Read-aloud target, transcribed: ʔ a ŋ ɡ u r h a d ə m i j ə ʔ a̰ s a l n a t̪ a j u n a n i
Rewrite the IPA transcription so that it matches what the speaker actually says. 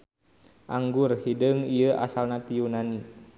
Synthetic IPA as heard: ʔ a ŋ ɡ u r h i d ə ŋ i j ə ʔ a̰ s a l n a t̪ i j u n a n i